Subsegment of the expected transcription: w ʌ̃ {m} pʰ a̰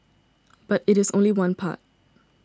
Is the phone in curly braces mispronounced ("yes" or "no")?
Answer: yes